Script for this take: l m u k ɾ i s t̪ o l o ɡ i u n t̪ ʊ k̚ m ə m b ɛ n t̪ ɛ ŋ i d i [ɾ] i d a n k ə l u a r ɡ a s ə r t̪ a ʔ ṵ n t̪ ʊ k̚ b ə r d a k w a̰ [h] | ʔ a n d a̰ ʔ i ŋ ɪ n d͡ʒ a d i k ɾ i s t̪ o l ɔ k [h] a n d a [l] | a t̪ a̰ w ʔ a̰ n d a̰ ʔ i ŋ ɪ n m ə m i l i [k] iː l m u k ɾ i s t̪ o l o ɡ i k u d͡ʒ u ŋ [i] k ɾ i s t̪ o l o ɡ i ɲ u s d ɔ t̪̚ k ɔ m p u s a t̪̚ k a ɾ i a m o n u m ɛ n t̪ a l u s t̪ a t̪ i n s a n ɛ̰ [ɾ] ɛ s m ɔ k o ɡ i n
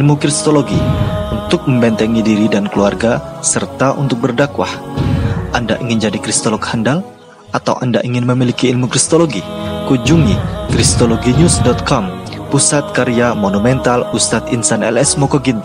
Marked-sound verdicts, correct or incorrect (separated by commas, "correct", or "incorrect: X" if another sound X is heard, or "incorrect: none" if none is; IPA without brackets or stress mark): correct, correct, correct, correct, correct, correct, incorrect: l